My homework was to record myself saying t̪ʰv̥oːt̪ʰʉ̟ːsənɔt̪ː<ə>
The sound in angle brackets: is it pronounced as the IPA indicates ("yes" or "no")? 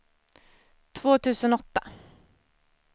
no